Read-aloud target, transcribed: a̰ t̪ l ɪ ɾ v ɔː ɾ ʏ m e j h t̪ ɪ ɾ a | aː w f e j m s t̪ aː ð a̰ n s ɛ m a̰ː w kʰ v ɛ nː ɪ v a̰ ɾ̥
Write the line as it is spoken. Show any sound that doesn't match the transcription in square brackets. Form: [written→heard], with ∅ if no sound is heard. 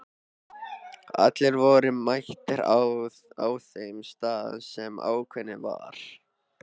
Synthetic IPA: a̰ t̪ l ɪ ɾ v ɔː ɾ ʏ m [e→a] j h t̪ ɪ ɾ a | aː w [f→θ] e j m s t̪ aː ð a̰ n s ɛ m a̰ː w kʰ v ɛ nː ɪ v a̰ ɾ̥